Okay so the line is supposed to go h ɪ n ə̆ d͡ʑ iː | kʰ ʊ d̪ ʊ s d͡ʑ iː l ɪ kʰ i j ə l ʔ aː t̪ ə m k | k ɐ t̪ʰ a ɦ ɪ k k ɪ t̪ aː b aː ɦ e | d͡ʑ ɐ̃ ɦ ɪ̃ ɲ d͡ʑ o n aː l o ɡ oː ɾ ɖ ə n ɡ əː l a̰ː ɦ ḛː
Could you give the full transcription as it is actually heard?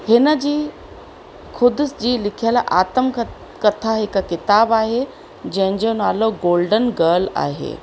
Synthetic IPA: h ɪ n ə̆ d͡ʑ iː | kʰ ʊ d̪ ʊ s d͡ʑ iː l ɪ kʰ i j ə l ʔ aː t̪ ə m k | k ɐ t̪ʰ a ɦ ɪ k k ɪ t̪ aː b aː ɦ e | d͡ʑ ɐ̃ ɦ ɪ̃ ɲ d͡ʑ o n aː l o ɡ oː l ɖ ə n ɡ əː l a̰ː ɦ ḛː